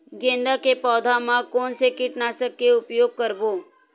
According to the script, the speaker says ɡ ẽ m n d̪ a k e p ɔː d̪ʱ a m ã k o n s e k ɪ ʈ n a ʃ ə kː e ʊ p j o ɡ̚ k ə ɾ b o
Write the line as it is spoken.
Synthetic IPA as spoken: ɡ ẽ n d̪ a k e p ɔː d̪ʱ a m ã k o n s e k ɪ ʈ n a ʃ ə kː e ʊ p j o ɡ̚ k ə ɾ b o